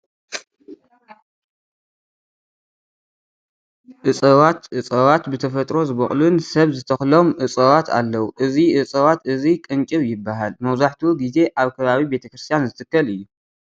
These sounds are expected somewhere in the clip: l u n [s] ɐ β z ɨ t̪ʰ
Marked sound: correct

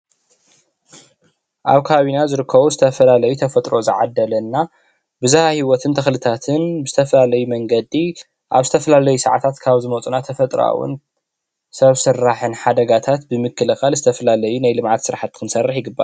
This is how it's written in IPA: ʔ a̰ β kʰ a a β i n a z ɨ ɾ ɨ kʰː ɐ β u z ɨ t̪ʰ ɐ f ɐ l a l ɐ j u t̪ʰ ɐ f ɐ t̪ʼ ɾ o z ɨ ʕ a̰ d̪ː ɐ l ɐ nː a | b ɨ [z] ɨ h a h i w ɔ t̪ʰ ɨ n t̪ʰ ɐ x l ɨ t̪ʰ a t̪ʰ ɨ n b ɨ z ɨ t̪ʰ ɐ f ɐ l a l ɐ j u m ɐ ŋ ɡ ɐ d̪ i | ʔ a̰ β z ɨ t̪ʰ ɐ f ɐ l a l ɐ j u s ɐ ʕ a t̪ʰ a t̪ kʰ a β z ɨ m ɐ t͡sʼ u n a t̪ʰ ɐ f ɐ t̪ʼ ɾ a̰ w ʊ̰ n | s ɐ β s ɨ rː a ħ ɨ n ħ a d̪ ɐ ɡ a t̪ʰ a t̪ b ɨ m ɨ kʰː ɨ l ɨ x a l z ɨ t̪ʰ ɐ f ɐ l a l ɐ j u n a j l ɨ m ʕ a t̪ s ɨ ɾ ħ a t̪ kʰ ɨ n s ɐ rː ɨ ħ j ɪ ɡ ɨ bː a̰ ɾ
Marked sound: correct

